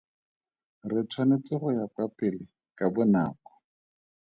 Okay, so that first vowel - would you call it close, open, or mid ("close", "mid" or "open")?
close